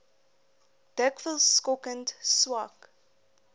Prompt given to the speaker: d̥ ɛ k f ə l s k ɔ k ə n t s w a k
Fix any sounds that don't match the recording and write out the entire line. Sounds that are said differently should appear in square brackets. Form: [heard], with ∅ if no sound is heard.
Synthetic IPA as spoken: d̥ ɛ k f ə l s k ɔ k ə n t s w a k